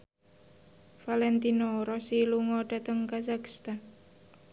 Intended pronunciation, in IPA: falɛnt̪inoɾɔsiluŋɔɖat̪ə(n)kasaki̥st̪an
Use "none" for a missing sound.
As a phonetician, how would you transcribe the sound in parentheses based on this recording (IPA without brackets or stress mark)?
ŋ